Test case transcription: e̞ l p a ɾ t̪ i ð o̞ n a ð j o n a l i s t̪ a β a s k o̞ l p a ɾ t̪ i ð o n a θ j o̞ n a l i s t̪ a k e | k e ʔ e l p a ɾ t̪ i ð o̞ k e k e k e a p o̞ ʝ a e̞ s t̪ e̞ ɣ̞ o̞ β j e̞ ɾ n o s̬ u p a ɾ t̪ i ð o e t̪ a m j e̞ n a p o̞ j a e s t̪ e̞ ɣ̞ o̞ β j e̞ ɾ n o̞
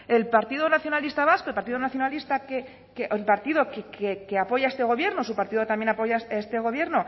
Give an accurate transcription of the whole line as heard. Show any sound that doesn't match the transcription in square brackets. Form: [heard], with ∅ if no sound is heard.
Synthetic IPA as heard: e̞ l p a ɾ t̪ i ð o̞ n a [θ] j o n a l i s t̪ a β a s k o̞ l p a ɾ t̪ i ð o n a θ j o̞ n a l i s t̪ a k e | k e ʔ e l p a ɾ t̪ i ð o̞ k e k e k e a p o̞ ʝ a e̞ s t̪ e̞ ɣ̞ o̞ β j e̞ ɾ n o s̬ u p a ɾ t̪ i ð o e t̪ a m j e̞ n a p o̞ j a e s t̪ e̞ ɣ̞ o̞ β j e̞ ɾ n o̞

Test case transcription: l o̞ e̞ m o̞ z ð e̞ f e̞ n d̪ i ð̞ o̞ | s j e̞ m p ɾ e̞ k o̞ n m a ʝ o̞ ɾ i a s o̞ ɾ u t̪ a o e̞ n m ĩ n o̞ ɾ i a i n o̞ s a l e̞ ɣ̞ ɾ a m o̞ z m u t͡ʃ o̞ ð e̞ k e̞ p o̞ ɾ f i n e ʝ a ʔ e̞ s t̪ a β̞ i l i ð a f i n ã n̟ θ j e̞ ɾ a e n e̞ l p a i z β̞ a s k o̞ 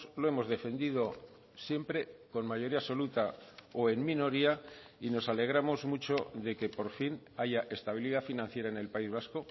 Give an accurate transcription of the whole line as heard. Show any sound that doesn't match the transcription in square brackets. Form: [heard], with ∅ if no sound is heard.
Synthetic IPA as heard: l o̞ e̞ m o̞ z ð e̞ f e̞ n d̪ i ð̞ o̞ | s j e̞ m p ɾ e̞ k o̞ n m a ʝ o̞ ɾ i a s o̞ [l] u t̪ a o e̞ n m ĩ n o̞ ɾ i a i n o̞ s a l e̞ ɣ̞ ɾ a m o̞ z m u t͡ʃ o̞ ð e̞ k e̞ p o̞ ɾ f i n [a] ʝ a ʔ e̞ s t̪ a β̞ i l i ð a f i n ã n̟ θ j e̞ ɾ a e n e̞ l p a i z β̞ a s k o̞

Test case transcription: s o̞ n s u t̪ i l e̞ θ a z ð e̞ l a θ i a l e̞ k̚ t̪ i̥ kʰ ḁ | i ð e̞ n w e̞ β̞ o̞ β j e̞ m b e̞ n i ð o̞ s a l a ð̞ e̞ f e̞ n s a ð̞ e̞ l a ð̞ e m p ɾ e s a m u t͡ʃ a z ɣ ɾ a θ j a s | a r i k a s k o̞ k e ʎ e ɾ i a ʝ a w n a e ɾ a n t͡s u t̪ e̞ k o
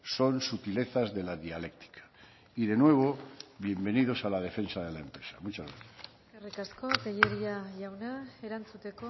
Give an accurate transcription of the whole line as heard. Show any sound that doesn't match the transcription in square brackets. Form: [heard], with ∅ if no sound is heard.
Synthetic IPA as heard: s o̞ n s u t̪ i l e̞ θ a z ð e̞ l a [ð] i a l e̞ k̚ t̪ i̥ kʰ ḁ | i ð e̞ n w e̞ β̞ o̞ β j e̞ m b e̞ n i ð o̞ s a l a ð̞ e̞ f e̞ n s a ð̞ e̞ l a [∅] e m p ɾ e s a m u t͡ʃ a z ɣ ɾ a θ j a s | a r i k a s k o̞ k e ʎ e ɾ i a ʝ a w n a e ɾ a n t͡s u t̪ e̞ k o

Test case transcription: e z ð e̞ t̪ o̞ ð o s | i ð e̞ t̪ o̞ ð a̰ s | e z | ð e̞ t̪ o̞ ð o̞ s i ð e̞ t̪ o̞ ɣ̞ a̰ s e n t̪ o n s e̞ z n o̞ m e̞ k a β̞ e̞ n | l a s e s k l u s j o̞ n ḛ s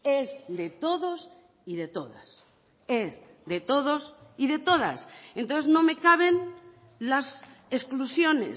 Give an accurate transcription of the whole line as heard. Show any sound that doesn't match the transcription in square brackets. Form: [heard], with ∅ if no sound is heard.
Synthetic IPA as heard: e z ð e̞ t̪ o̞ ð o s | i ð e̞ t̪ o̞ ð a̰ s | e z | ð e̞ t̪ o̞ ð o̞ s i ð e̞ t̪ o̞ [ð̞] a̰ s e n t̪ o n [θ] e̞ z n o̞ m e̞ k a β̞ e̞ n | l a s e s k l u s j o̞ n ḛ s

